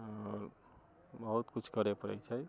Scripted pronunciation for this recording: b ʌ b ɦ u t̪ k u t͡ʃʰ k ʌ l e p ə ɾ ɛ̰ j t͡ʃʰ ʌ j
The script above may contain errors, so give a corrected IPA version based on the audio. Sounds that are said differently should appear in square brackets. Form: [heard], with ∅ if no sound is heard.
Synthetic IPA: b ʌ [∅] ɦ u t̪ k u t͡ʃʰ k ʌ [ɾ] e p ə ɾ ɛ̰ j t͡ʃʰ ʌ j